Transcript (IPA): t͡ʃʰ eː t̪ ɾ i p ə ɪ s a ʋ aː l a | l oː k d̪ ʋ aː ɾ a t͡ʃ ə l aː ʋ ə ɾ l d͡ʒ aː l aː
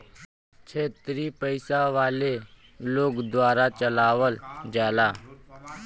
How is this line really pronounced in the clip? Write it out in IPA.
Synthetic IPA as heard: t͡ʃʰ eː t̪ ɾ i p ə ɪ s a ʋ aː l e | l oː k d̪ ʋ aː ɾ a t͡ʃ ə l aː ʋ ə l d͡ʒ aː l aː

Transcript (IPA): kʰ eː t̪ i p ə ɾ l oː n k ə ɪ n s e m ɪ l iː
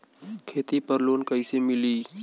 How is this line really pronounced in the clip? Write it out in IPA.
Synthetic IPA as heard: kʰ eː t̪ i p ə ɾ l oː n k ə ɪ s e m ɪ l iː

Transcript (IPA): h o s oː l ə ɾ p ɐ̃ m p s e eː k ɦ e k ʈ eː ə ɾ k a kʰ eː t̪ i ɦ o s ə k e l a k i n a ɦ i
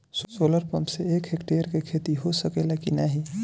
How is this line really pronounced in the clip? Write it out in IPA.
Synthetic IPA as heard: s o s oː l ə ɾ p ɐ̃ m p s e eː k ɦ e k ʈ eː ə ɾ k e kʰ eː t̪ i ɦ o s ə k e l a k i n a ɦ i

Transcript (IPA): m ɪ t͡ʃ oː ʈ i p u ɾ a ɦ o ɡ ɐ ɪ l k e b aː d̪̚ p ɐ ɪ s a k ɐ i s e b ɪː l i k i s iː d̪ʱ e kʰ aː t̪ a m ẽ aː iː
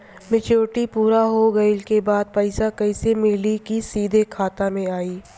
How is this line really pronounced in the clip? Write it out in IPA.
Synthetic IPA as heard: m ɪ t͡ʃ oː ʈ i p uː ɾ a ɦ o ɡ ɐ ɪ l k e b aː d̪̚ p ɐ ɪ s a k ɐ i s e m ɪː l i k i s iː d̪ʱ e kʰ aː t̪ a m ẽ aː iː

